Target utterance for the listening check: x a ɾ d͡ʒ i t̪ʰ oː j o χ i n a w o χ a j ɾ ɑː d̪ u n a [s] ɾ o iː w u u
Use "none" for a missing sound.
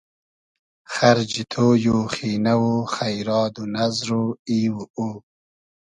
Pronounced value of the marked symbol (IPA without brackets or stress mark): z